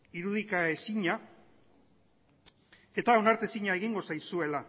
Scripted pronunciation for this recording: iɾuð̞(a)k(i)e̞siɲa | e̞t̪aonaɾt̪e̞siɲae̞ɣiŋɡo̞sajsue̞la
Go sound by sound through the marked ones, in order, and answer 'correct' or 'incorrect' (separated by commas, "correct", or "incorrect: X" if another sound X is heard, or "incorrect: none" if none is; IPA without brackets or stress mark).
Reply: incorrect: i, incorrect: a